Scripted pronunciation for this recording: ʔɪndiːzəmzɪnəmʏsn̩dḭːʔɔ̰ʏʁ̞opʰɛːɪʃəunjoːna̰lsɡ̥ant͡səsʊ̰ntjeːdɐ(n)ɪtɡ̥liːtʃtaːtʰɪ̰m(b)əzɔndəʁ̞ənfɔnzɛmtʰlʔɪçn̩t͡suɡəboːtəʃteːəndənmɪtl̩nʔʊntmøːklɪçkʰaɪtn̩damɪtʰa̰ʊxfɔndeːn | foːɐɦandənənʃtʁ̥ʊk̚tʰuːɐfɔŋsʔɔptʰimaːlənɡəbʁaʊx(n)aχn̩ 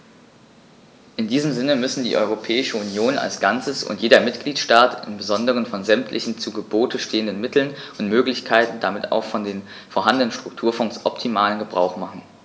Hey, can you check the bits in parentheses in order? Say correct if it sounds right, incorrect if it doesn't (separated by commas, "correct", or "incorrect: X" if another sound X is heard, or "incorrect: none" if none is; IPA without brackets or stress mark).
incorrect: m, correct, incorrect: m